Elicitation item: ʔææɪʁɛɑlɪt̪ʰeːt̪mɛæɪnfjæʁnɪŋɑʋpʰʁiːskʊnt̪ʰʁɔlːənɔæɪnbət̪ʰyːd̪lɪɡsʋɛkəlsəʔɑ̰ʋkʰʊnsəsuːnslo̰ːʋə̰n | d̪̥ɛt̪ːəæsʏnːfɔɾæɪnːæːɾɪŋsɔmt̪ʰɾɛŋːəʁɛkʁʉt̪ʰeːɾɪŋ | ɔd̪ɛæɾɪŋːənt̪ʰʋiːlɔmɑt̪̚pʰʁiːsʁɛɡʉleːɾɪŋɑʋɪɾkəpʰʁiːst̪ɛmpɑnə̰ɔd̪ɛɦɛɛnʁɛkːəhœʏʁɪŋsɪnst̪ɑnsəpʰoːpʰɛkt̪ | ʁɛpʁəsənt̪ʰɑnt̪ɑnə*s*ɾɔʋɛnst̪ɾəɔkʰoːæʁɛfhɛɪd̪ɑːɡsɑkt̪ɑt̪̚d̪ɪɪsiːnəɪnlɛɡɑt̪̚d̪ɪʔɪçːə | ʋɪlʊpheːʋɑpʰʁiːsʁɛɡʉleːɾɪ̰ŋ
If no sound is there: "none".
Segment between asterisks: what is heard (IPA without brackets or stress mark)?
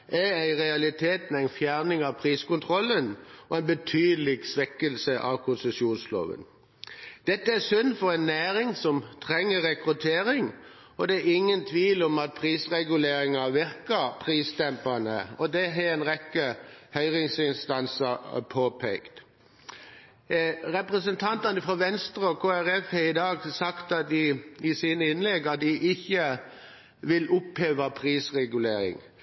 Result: f